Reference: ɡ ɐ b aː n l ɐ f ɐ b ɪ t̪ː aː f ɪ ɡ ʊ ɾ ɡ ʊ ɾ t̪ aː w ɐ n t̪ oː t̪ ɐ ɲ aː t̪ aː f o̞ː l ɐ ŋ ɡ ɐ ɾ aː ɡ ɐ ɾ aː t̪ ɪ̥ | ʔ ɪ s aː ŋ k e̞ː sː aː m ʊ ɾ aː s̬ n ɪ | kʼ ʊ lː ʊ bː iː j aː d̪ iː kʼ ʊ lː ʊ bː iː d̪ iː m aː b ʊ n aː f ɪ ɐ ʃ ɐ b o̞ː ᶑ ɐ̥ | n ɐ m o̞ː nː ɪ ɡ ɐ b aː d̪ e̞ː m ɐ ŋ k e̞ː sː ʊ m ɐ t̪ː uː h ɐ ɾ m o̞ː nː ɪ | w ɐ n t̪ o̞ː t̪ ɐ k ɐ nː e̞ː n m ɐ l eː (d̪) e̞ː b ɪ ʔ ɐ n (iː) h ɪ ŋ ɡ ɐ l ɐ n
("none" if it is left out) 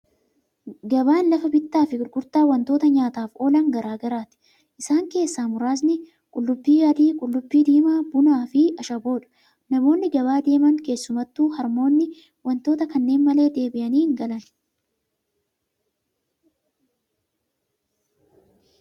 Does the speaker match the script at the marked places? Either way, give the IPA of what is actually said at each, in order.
d̪, iː

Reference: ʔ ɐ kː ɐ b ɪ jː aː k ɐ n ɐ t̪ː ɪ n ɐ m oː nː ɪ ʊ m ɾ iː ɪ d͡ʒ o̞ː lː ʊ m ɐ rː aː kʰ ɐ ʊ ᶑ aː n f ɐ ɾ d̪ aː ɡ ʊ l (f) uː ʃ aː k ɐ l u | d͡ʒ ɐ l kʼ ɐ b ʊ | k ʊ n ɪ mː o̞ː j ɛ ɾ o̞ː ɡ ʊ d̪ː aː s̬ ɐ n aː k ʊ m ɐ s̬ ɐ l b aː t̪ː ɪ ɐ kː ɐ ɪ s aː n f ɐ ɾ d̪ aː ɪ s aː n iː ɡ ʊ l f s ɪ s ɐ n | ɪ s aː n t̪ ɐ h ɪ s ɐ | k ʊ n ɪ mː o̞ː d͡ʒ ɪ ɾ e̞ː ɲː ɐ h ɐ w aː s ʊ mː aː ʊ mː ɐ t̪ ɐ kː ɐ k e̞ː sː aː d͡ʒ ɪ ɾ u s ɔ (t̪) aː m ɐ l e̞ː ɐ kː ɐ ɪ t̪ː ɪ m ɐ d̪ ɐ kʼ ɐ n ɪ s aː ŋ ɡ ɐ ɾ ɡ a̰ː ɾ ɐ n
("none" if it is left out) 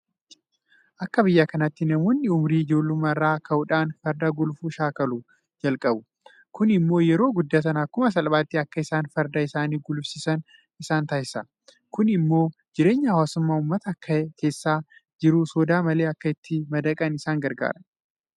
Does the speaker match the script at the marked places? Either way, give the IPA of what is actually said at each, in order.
f, d̪

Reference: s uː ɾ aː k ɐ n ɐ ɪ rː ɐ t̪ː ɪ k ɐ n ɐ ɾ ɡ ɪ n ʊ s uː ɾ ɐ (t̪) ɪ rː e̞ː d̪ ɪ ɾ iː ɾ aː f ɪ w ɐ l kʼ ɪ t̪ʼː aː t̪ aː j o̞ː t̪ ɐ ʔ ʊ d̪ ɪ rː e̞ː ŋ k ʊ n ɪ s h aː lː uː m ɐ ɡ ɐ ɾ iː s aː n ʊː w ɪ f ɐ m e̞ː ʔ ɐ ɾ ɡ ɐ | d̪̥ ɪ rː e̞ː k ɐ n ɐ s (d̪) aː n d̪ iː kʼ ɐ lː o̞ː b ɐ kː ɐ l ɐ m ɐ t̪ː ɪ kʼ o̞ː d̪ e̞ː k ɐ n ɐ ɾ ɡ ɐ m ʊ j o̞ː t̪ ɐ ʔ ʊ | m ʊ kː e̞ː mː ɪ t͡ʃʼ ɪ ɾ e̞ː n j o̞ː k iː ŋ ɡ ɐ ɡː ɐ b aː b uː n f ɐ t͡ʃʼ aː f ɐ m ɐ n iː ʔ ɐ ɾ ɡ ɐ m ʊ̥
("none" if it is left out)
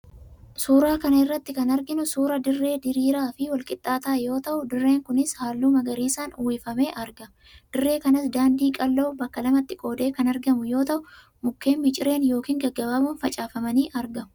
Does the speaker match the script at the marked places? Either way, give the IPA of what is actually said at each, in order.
d̪, d̪

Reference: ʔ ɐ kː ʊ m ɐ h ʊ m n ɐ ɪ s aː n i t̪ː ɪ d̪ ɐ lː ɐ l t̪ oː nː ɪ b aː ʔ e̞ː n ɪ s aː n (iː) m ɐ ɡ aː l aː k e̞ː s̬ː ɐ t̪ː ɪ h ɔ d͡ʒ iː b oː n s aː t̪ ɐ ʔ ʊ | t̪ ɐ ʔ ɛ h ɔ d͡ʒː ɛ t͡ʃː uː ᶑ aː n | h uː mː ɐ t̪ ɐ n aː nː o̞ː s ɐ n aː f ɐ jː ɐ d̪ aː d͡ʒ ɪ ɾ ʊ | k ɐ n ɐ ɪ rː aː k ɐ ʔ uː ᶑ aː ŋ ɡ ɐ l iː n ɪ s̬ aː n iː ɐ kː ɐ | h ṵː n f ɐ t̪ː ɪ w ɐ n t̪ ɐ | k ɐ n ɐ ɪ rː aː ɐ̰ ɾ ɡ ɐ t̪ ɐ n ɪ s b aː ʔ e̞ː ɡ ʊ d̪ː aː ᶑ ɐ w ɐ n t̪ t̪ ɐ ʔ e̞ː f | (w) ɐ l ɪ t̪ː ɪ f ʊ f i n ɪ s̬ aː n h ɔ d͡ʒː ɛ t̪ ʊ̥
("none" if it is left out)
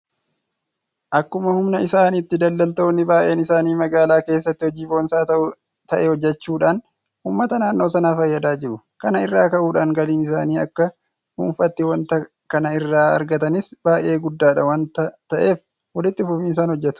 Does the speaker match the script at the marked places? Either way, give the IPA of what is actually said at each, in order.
iː, w

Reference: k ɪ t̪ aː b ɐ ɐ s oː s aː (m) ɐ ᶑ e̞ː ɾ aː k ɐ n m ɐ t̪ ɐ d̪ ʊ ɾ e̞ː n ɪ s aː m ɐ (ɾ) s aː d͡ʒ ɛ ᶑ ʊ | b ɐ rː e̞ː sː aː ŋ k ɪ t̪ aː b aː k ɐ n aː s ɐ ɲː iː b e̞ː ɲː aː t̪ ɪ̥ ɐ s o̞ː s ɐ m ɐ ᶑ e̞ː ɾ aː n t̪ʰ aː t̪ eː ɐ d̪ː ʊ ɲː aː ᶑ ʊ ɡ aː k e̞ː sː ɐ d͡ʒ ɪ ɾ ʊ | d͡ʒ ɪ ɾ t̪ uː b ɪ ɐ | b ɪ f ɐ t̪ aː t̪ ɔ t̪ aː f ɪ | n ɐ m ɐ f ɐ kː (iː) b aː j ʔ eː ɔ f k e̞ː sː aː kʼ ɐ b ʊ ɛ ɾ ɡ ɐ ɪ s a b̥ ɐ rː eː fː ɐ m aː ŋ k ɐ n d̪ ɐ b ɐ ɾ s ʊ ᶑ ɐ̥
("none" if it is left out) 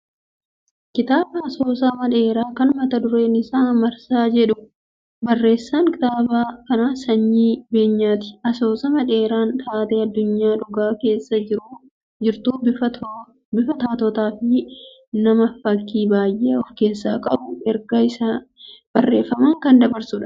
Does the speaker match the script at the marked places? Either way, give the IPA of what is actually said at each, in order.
m, ɾ, iː

